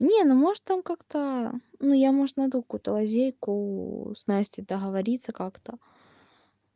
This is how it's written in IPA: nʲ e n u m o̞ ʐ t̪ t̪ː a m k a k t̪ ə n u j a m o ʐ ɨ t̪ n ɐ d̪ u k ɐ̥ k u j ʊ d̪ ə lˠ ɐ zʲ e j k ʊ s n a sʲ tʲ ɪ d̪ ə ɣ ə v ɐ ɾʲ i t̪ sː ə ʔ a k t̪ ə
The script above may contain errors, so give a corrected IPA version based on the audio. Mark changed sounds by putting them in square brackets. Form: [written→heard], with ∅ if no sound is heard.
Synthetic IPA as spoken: nʲ e n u m o̞ ʐ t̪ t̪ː a m k a k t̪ ə n u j a m o ʐ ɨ t̪ n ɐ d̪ u k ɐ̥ k u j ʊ [d̪→t̪] ə lˠ ɐ zʲ e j k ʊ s n a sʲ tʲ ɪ d̪ ə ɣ ə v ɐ ɾʲ i t̪ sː ə [ʔ→k] a k t̪ ə